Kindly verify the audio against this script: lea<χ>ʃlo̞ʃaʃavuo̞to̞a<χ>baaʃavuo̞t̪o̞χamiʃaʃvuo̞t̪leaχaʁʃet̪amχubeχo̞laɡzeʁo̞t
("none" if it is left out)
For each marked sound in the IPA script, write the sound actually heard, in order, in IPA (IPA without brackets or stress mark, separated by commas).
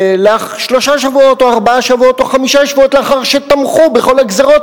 χ, ʁ